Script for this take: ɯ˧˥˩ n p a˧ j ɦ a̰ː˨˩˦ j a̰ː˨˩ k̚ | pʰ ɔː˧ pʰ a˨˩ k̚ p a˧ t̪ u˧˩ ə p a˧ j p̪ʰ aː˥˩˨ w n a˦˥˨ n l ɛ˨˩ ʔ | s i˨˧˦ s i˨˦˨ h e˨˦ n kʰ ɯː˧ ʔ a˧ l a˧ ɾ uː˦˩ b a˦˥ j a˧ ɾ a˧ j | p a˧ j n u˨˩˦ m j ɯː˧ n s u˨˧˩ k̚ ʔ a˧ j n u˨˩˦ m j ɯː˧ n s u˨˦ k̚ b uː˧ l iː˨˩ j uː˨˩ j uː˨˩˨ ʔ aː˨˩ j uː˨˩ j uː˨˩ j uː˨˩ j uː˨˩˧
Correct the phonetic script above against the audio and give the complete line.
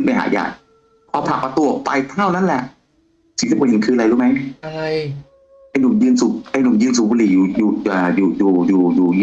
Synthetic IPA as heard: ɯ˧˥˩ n p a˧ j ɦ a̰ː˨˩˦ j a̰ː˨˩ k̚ | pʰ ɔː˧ pʰ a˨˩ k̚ p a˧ t̪ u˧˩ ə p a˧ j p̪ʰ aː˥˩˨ w n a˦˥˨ n l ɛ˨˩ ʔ | s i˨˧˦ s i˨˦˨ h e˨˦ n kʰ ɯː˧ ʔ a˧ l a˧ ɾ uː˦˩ m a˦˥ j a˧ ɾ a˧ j | ʔ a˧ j n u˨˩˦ m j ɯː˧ n s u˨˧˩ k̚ ʔ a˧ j n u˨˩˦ m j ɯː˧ n s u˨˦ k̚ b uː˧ l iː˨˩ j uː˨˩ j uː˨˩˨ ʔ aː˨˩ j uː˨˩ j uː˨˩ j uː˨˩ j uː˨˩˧